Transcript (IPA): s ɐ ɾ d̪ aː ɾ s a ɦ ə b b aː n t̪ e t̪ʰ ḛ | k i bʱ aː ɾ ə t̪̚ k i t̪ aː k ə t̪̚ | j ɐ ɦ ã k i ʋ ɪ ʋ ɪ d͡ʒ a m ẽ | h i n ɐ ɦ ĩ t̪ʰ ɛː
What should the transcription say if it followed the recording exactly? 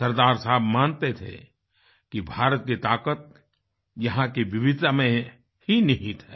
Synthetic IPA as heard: s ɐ ɾ d̪ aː ɾ s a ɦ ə b m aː n t̪ e t̪ʰ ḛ | k i bʱ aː ɾ ə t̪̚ k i t̪ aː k ə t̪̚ | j ɐ ɦ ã k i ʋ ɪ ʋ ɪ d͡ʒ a m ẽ | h i n ɐ ɦ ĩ t̪ʰ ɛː